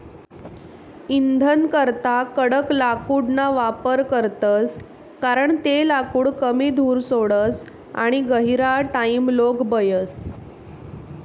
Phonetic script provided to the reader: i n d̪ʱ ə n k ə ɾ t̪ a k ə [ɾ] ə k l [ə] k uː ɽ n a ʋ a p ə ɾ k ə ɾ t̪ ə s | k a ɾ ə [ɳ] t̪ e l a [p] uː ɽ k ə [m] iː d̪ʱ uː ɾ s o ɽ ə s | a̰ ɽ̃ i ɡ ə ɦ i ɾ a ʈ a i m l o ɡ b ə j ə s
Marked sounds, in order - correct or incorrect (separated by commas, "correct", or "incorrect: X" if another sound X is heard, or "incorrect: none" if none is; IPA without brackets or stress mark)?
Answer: incorrect: ɽ, incorrect: a, correct, incorrect: k, correct